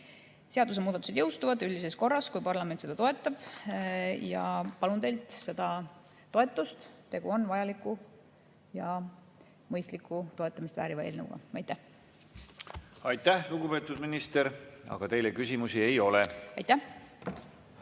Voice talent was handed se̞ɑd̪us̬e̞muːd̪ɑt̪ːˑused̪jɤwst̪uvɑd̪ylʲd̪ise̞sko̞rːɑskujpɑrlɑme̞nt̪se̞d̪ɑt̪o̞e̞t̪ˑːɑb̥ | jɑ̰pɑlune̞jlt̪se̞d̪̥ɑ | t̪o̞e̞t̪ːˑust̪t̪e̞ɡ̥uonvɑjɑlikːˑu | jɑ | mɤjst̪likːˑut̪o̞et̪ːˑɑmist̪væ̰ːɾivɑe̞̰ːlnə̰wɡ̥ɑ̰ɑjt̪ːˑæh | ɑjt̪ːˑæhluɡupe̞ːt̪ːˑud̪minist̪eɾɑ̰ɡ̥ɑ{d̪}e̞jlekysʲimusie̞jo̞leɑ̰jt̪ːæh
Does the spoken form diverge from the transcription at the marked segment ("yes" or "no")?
yes